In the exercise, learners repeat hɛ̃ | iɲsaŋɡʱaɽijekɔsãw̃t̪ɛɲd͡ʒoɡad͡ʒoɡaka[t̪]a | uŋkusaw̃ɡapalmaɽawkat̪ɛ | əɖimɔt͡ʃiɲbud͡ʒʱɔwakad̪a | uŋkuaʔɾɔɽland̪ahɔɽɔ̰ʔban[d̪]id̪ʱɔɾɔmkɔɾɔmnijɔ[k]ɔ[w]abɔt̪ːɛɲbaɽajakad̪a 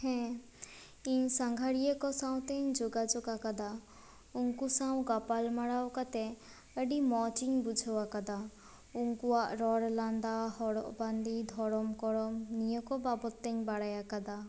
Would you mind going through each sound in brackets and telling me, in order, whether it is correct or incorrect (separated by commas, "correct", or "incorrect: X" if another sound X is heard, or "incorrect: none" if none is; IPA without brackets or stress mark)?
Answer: incorrect: d̪, correct, correct, incorrect: b